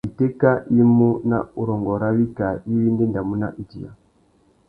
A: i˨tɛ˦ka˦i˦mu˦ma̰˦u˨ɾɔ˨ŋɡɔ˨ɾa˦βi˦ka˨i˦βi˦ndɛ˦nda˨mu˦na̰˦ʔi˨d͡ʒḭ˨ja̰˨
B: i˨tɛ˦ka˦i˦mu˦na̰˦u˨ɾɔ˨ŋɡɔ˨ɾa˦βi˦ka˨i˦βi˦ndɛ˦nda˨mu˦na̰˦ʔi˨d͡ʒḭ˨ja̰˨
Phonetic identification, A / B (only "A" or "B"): B